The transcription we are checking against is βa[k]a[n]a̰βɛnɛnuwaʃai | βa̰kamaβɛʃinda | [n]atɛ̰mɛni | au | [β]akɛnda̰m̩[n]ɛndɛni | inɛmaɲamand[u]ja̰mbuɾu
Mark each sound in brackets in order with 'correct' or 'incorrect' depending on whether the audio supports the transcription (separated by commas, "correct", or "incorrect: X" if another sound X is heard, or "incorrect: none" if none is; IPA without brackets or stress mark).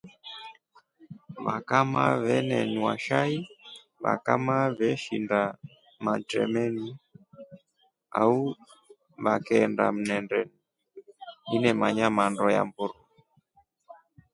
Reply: correct, incorrect: m, incorrect: m, correct, correct, incorrect: ɔ